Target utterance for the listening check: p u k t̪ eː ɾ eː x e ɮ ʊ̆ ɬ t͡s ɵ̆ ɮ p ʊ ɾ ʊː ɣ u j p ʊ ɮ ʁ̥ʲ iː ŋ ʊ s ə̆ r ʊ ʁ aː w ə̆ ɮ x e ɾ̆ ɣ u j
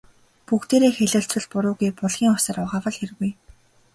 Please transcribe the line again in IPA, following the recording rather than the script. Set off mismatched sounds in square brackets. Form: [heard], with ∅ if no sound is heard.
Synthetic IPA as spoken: p u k t̪ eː ɾ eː x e ɮ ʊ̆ ɬ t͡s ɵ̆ ɮ p ʊ ɾ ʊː ɣ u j p ʊ ɮ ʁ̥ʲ iː ŋ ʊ s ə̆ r ʊ ʁ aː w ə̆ ɮ x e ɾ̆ ɣ u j